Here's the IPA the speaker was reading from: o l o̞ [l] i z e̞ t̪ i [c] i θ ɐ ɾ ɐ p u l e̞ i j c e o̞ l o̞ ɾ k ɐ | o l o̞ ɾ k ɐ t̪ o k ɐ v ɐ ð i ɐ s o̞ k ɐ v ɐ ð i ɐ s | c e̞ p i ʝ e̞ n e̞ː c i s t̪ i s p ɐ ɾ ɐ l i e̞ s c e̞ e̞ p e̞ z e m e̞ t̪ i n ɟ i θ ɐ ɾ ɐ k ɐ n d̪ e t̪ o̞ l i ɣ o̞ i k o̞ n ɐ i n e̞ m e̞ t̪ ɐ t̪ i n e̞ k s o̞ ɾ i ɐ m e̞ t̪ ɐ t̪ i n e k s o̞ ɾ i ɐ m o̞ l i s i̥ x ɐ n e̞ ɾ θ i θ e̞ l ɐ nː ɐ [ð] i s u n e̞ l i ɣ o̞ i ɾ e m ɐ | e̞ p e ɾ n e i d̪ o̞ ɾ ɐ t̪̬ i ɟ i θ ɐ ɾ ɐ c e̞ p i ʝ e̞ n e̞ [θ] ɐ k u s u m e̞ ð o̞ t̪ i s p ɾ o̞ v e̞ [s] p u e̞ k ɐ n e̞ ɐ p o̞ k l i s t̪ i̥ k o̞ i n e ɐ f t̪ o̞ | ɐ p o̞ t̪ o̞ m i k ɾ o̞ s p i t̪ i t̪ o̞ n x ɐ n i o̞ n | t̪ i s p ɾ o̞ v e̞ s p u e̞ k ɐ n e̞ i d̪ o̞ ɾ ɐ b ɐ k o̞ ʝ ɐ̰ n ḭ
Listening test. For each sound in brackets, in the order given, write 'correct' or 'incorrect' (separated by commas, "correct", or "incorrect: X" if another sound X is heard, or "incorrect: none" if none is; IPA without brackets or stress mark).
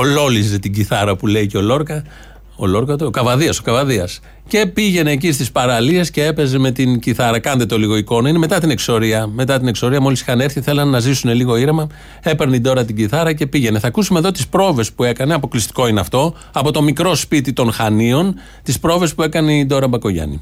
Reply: correct, incorrect: ɟ, incorrect: z, correct, correct